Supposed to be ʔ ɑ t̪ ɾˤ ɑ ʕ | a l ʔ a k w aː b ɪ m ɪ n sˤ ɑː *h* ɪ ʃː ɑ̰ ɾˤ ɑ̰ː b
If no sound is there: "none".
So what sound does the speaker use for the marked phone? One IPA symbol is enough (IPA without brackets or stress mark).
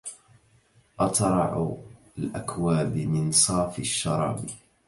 f